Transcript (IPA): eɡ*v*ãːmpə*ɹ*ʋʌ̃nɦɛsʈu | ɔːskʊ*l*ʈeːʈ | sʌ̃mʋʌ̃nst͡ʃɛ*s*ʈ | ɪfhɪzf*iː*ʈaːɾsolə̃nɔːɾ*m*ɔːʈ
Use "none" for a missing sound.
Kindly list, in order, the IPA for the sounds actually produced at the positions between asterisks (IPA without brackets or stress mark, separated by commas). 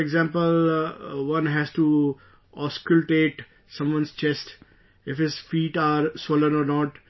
z, l, l, s, iː, n